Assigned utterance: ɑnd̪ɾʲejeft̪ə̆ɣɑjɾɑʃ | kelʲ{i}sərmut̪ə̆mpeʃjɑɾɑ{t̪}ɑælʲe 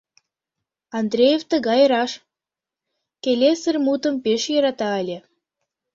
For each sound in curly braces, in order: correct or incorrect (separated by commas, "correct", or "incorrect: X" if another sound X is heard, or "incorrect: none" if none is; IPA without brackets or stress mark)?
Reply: incorrect: e, correct